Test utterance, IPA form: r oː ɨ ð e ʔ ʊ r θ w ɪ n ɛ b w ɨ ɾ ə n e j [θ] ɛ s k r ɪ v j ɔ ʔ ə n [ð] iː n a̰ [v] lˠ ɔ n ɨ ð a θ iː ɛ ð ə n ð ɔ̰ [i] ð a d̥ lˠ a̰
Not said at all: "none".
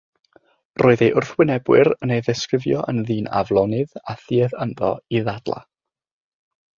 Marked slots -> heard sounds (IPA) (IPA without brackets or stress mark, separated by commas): ð, ð, v, i